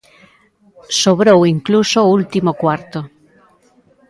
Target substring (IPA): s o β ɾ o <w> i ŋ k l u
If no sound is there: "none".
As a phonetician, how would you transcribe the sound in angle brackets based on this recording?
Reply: w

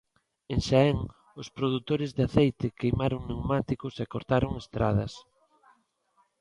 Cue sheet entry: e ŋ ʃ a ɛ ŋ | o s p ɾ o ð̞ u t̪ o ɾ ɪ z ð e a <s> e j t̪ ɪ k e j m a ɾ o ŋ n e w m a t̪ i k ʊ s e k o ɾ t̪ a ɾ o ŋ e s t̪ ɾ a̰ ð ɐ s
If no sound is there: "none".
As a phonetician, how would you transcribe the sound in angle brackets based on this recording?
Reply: θ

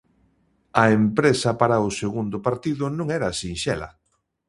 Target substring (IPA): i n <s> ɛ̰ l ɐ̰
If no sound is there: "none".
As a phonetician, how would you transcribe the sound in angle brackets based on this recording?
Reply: ʃ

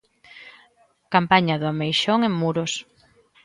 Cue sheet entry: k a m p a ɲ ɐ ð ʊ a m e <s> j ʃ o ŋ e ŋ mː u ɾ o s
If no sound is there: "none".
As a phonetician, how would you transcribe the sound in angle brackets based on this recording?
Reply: none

